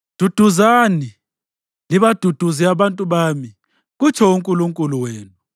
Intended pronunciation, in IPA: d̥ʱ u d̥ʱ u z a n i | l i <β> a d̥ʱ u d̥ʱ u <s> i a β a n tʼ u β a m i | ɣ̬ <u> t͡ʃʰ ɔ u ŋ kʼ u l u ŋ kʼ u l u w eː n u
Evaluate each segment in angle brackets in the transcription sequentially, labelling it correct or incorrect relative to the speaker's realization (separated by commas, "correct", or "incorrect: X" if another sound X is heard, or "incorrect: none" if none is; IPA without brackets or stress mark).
correct, incorrect: z, correct